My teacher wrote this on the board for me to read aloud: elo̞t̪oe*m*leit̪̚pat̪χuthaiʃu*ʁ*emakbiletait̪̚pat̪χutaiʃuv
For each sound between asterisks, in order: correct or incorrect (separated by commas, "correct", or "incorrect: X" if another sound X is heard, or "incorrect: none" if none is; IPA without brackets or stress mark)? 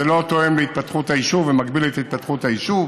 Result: correct, incorrect: v